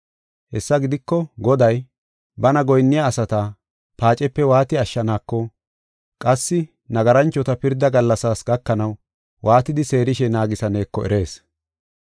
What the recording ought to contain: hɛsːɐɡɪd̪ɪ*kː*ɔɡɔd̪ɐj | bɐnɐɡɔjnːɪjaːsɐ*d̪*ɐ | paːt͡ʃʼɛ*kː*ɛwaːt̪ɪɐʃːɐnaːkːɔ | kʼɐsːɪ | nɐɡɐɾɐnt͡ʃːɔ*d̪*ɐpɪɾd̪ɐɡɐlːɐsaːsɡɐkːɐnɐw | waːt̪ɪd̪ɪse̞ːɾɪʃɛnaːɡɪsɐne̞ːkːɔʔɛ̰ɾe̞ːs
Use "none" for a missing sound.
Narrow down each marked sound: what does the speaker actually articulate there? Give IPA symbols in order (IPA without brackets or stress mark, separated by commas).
kː, t̪, pː, t̪